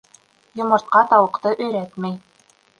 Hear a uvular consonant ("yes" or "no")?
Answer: yes